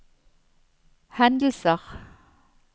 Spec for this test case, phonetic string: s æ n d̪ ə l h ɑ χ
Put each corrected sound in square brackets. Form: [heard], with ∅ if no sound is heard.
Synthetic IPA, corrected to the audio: [h] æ n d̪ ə l [s] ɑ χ

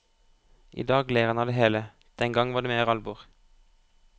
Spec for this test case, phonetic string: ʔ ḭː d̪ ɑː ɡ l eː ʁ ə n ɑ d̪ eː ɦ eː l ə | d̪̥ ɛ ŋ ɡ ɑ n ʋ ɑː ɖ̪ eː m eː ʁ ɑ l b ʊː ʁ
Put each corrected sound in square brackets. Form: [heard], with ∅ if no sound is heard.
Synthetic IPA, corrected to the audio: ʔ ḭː d̪ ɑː ɡ l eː ʁ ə n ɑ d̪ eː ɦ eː l ə | d̪̥ ɛ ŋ ɡ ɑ [ŋ] ʋ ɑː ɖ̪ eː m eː ʁ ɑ l b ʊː ʁ

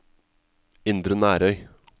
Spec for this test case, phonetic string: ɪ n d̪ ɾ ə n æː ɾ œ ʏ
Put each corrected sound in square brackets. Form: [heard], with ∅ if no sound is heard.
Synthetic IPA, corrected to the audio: ɪ n d̪ ɾ ə n æː ɾ œ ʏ

